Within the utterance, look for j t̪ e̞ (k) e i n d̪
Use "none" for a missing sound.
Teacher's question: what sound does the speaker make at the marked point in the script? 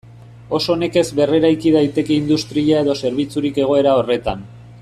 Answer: k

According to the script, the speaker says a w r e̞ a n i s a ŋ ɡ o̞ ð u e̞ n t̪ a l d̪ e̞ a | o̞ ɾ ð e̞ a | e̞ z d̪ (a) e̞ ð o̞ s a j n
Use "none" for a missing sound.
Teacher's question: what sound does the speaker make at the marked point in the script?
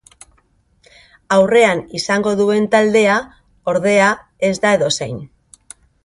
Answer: a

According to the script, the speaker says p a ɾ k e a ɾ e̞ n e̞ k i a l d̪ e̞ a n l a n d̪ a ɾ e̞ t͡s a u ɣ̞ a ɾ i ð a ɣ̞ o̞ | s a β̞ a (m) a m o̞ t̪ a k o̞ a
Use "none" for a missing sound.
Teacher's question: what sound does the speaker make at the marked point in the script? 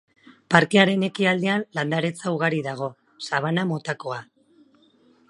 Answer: n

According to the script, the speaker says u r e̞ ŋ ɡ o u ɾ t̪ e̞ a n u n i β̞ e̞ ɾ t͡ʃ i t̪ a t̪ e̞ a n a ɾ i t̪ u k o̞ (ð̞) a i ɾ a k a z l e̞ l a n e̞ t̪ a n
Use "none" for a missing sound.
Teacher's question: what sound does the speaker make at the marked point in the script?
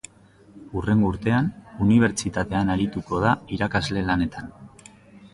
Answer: ð̞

